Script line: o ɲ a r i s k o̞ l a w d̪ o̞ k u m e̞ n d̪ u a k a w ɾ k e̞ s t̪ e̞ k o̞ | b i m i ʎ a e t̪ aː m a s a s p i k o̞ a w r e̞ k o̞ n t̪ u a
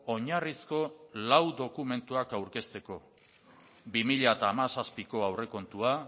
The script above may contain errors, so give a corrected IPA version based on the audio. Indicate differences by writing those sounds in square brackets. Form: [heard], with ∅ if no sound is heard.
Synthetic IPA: o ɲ a r i s k o̞ l a w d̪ o̞ k u m e̞ n [t̪] u a k a w ɾ k e̞ s t̪ e̞ k o̞ | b i m i ʎ a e t̪ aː m a s a s p i k o̞ a w r e̞ k o̞ n t̪ u a